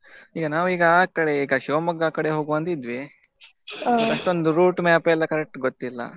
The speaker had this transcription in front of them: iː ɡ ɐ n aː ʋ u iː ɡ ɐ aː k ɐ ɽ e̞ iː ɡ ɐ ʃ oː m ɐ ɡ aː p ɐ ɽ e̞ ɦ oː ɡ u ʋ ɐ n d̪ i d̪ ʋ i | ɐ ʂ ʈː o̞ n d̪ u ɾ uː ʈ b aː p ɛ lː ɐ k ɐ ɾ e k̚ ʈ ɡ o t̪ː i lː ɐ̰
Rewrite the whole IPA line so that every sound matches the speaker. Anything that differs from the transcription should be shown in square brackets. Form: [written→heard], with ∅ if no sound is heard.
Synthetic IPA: iː ɡ ɐ n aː ʋ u iː ɡ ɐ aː k ɐ ɽ e̞ iː ɡ ɐ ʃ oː m ɐ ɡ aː [p→k] ɐ ɽ e̞ ɦ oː ɡ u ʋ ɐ n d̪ i d̪ ʋ i | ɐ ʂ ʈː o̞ n d̪ u ɾ uː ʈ [b→m] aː p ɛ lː ɐ k ɐ ɾ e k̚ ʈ ɡ o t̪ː i lː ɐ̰